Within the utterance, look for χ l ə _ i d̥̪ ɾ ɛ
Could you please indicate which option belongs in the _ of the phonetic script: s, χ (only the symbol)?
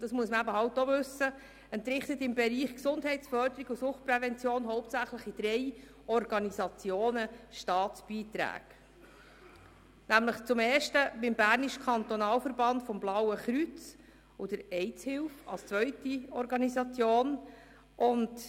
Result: χ